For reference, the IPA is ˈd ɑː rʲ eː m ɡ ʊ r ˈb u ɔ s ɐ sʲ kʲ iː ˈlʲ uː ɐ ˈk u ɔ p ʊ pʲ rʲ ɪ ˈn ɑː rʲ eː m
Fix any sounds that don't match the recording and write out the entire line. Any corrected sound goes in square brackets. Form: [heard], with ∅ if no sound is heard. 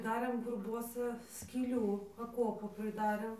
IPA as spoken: ˈd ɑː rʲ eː m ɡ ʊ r ˈb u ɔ s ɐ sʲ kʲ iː ˈlʲ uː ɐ ˈk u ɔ p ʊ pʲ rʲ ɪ [ˈd] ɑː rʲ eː m